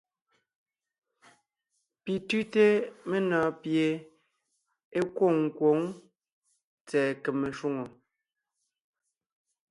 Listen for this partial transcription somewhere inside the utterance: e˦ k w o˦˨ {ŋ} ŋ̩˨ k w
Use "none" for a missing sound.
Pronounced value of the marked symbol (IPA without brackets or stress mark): ŋ